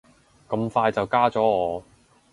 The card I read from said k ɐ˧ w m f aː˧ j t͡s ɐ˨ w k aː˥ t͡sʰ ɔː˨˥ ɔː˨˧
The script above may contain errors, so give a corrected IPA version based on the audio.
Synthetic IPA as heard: k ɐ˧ m f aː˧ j t͡s ɐ˨ w k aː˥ t͡s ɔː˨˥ ɔː˨˧

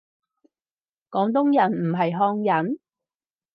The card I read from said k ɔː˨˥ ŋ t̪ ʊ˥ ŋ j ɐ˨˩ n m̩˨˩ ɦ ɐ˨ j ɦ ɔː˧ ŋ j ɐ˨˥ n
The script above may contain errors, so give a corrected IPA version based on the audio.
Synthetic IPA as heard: k ɔː˨˥ ŋ t̪ ʊ˥ ŋ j ɐ˨˩ n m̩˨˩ ɦ ɐ˨ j ɦ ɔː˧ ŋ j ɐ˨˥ n

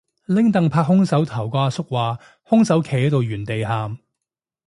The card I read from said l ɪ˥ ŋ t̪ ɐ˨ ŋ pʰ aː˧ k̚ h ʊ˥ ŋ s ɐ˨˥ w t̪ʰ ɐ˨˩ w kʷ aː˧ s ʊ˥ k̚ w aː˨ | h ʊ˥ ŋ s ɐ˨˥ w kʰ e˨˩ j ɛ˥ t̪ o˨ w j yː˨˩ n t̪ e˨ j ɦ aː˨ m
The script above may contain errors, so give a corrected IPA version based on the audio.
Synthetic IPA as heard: l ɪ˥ ŋ t̪ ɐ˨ ŋ pʰ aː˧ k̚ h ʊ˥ ŋ s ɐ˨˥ w t̪ʰ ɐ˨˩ w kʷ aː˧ s ʊ˥ k̚ w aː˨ | h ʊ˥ ŋ s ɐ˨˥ w kʰ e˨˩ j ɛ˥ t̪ o˨ w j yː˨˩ n t̪ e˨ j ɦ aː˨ m

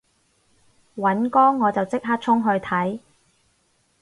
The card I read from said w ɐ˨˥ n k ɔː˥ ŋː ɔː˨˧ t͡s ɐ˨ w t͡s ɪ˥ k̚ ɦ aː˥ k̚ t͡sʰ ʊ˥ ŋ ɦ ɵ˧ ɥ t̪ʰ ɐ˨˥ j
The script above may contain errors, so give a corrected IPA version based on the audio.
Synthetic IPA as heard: w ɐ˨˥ n k ɔː˥ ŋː ɔː˨˧ t͡s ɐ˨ w t͡s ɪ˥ k̚ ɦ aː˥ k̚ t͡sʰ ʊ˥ ŋ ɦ ɵ˧ ɥ t̪ʰ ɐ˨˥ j

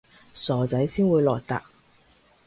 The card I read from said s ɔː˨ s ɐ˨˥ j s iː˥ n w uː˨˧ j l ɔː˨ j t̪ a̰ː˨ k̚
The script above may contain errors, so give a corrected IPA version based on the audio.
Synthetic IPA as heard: s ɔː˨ t͡s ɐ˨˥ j s iː˥ n w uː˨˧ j l ɔː˨ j t̪ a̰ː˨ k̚

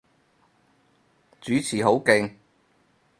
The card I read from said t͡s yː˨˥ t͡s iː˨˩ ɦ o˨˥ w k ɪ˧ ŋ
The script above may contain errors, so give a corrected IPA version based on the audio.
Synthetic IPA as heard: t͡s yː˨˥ t͡sʰ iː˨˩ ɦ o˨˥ w k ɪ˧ ŋ

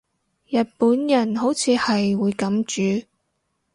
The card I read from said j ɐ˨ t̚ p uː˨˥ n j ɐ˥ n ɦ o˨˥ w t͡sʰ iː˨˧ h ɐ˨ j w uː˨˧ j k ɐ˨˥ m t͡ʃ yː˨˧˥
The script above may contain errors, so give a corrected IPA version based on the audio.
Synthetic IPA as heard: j ɐ˨ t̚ p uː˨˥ n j ɐ˨˩ n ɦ o˨˥ w t͡sʰ iː˨˧ h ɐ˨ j w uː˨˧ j k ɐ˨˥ m t͡ʃ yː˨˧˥

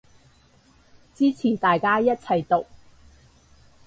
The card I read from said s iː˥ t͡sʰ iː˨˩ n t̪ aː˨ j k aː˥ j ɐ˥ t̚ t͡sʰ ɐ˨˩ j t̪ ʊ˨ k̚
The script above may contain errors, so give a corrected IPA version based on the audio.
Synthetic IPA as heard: t͡s iː˥ t͡sʰ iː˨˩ n t̪ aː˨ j k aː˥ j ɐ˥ t̚ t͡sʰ ɐ˨˩ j t̪ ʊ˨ k̚

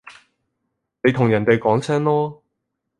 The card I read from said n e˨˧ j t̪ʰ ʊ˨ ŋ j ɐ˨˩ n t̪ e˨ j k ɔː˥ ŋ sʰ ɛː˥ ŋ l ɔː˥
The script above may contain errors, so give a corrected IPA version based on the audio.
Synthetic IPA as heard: n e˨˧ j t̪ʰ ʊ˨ ŋ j ɐ˨˩ n t̪ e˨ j k ɔː˨˥ ŋ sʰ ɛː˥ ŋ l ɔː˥

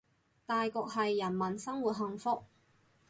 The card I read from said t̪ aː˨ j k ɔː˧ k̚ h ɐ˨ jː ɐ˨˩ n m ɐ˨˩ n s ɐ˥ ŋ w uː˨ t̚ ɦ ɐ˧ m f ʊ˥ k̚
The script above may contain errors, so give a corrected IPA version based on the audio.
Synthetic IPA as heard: t̪ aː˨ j k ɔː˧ k̚ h ɐ˨ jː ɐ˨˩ n m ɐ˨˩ n s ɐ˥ ŋ w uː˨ t̚ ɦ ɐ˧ ŋ f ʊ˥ k̚

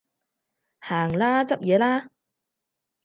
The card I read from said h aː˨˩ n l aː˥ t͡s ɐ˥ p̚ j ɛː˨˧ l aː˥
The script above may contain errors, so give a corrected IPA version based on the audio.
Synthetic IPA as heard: h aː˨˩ ŋ l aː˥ t͡s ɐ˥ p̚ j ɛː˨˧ l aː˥

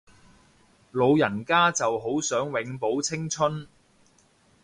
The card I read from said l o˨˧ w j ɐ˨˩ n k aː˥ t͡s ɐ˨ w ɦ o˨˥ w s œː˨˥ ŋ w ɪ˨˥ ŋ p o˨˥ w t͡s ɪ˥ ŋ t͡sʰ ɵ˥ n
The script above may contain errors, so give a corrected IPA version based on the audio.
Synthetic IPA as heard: l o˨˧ w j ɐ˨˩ n k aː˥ t͡s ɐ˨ w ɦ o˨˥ w s œː˨˥ ŋ w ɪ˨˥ ŋ p o˨˥ w t͡sʰ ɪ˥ ŋ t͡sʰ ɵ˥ n

